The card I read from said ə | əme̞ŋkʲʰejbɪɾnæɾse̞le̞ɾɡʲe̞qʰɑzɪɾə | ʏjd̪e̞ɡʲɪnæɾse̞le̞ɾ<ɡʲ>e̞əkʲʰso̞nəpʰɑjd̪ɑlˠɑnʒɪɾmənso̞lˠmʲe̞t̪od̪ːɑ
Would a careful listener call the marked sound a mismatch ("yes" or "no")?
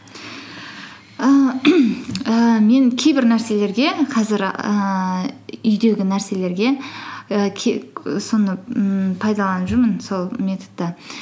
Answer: no